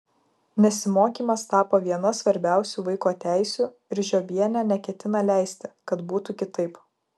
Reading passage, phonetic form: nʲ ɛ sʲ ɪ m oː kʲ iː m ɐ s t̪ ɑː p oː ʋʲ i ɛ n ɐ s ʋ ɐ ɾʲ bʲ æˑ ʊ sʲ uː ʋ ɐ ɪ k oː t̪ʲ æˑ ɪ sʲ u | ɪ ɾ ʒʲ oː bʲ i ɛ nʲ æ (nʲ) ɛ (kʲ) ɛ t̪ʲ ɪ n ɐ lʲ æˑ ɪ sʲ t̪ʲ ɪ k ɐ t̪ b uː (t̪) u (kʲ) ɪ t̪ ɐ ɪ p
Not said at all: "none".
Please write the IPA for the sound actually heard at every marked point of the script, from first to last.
nʲ, kʲ, t̪, kʲ

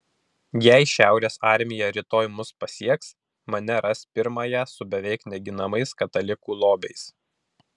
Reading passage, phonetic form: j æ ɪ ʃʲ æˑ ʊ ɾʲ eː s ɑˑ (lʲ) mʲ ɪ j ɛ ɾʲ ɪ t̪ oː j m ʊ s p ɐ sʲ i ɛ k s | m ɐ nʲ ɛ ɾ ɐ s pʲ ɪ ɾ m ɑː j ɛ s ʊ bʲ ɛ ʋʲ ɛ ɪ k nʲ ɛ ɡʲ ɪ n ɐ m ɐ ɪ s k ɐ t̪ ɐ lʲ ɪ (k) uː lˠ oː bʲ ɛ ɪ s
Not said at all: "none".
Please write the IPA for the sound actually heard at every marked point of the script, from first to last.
ɾʲ, k

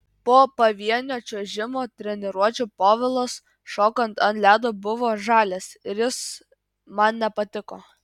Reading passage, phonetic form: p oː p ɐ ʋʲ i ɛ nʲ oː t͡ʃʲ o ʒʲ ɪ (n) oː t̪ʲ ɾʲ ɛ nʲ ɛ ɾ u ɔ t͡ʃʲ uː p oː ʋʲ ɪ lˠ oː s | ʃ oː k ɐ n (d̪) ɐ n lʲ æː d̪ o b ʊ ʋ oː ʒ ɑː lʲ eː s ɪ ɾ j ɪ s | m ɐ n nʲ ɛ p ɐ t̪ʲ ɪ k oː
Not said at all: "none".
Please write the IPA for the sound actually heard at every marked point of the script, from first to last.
m, t̪

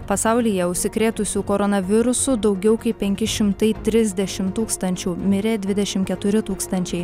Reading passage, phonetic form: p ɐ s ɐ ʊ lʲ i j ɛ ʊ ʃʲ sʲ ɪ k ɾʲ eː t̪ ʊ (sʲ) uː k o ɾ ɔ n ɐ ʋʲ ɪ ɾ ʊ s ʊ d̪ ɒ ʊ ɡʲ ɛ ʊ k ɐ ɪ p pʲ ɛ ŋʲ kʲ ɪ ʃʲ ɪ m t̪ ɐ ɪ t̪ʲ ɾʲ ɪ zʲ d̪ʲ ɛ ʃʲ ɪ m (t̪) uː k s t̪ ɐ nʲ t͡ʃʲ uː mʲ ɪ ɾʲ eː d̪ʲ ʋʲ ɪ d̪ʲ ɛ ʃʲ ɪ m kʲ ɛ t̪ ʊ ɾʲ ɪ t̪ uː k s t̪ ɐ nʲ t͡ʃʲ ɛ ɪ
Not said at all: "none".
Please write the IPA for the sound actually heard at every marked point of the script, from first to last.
sʲ, t̪

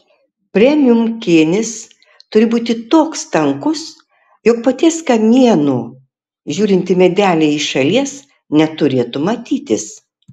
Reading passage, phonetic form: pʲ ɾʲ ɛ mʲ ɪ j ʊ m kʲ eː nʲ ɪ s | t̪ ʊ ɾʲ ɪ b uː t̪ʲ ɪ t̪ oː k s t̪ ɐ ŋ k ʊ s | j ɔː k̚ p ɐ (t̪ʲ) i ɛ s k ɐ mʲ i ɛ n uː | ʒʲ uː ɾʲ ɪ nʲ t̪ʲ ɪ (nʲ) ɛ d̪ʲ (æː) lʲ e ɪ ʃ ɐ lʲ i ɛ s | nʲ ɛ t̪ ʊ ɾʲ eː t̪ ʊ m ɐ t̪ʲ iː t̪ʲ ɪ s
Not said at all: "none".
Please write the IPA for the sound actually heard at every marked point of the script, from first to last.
t̪ʲ, mʲ, æː

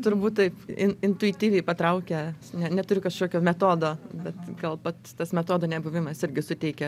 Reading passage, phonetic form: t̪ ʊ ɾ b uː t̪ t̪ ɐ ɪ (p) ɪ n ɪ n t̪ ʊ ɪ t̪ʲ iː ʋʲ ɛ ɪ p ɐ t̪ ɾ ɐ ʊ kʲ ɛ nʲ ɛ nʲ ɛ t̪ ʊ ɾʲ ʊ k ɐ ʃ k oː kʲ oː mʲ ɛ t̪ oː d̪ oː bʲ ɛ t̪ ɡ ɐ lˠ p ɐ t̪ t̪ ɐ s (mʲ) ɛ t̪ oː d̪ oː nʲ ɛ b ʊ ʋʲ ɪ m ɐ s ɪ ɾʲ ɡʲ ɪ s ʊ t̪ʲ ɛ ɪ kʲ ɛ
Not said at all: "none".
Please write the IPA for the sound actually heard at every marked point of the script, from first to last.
p, mʲ

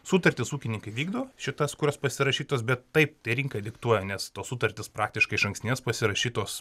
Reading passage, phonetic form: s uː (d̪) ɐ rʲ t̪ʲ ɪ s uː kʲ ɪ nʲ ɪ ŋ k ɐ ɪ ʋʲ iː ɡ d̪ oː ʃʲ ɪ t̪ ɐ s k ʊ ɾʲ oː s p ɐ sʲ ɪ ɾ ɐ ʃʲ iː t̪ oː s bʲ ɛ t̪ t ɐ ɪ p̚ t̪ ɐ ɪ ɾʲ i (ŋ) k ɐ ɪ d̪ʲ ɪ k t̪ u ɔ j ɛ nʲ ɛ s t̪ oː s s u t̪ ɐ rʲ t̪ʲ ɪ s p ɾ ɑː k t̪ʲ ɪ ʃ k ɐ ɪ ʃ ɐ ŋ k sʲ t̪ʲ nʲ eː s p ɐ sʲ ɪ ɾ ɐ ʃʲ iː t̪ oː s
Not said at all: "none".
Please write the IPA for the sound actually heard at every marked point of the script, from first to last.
t̪, ŋ

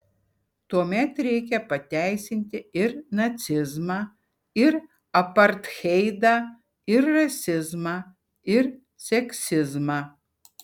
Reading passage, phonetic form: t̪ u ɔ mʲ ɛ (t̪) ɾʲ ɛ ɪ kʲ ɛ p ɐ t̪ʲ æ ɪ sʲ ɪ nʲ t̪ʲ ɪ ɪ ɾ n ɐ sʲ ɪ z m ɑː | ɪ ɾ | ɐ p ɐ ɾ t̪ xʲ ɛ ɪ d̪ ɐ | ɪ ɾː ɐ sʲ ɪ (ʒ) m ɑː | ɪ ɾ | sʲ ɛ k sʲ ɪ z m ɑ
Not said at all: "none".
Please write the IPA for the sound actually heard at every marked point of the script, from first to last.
t̪, z

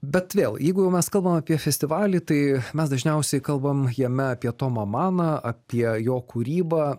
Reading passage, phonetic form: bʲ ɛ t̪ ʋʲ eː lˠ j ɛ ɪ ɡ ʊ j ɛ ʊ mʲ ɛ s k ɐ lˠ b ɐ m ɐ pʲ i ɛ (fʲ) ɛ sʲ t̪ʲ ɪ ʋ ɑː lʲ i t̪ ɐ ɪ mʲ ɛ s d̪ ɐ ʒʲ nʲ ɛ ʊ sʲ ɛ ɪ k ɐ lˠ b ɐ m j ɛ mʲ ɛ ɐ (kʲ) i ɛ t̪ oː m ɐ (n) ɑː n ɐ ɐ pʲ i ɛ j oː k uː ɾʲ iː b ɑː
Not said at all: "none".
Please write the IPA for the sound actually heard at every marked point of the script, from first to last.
fʲ, pʲ, m

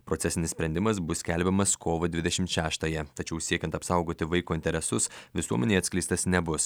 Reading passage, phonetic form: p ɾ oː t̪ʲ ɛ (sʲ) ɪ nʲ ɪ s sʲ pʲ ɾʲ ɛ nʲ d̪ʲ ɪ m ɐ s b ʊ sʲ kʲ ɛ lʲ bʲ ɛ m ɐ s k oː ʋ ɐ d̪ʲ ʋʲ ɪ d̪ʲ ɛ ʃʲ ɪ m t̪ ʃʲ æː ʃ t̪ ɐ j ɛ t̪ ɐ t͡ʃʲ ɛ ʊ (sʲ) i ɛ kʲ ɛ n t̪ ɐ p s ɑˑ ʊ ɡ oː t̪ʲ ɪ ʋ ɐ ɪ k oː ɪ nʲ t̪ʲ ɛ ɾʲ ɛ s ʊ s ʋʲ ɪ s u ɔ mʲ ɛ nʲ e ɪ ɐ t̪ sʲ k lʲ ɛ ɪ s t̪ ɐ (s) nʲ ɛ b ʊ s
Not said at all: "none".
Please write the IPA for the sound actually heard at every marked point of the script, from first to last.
sʲ, sʲ, s

